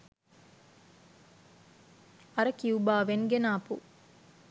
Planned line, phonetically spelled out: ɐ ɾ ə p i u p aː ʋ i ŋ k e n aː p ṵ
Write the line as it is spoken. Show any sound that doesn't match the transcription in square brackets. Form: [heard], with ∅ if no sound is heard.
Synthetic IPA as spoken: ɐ ɾ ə [k] i u [b] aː ʋ [e] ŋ [ɡ] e n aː p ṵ